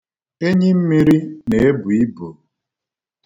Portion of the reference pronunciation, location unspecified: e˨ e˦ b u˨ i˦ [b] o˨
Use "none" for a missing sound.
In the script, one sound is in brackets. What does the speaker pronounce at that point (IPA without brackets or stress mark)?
b